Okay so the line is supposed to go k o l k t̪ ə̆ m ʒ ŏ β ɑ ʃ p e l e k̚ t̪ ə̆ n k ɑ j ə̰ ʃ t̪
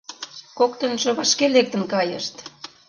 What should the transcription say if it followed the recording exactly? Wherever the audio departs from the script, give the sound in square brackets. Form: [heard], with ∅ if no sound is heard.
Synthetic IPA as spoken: k o [∅] k t̪ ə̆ [n] ʒ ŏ β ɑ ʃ [k] e l e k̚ t̪ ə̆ n k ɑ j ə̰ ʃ t̪